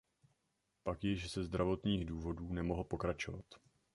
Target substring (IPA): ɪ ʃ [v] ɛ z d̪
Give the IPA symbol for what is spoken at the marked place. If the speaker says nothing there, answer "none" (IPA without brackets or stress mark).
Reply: z